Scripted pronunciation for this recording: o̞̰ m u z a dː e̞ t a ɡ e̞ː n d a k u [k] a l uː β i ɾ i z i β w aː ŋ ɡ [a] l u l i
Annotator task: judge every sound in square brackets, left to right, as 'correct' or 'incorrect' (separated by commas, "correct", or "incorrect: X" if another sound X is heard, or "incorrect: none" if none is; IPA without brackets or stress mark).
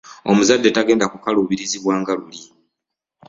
correct, correct